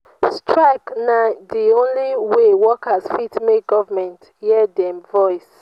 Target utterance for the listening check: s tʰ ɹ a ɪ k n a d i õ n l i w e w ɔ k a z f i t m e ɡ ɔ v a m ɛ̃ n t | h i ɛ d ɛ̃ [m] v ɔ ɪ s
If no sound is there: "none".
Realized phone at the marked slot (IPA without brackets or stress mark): m